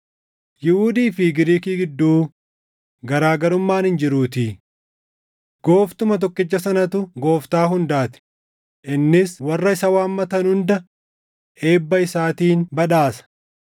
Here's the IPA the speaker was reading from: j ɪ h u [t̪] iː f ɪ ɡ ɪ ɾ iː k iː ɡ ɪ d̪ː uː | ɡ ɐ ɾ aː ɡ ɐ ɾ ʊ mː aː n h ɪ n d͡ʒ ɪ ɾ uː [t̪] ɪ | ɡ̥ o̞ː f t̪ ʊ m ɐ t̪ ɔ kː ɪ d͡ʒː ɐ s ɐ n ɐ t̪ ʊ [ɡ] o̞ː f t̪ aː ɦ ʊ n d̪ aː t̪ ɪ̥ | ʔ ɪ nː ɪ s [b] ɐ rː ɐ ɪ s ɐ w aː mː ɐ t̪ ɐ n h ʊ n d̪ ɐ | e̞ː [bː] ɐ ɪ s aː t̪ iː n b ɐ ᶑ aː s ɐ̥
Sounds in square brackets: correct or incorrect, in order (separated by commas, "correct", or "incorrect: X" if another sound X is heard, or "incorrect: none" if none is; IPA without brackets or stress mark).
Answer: incorrect: d̪, correct, correct, incorrect: w, correct